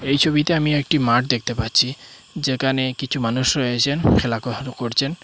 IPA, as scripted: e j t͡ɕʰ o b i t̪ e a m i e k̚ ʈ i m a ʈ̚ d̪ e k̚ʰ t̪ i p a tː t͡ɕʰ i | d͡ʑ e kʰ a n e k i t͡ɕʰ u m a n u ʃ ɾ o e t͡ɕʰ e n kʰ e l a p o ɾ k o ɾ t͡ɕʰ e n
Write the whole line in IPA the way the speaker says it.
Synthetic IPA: e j t͡ɕʰ o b i t̪ e a m i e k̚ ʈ i m a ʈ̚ d̪ e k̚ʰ t̪ e p a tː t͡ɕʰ i | d͡ʑ e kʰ a n e k i t͡ɕʰ u m a n u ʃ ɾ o e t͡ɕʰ e n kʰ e l a k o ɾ k o ɾ t͡ɕʰ e n